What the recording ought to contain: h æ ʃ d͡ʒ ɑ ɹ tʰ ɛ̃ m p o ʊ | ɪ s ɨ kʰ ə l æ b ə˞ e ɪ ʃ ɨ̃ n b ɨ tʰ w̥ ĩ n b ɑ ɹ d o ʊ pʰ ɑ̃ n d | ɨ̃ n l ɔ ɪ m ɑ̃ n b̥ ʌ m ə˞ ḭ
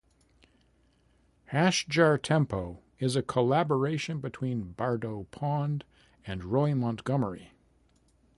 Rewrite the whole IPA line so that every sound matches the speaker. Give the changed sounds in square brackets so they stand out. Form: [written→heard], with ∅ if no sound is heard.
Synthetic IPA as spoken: h æ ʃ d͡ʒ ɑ ɹ tʰ ɛ̃ m p o ʊ | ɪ [s→z] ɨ kʰ ə l æ b ə˞ e ɪ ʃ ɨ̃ n b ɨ tʰ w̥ ĩ n b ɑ ɹ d o ʊ pʰ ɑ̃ n d | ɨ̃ n [l→ɹ] ɔ ɪ m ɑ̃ n [b̥→ɡ̥] ʌ m ə˞ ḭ